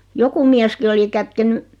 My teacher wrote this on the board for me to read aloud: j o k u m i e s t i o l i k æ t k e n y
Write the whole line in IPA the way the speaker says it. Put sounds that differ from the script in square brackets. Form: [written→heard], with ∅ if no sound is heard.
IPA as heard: j o k u m i [e→æ] s [t→k] i o l i k æ t k e n y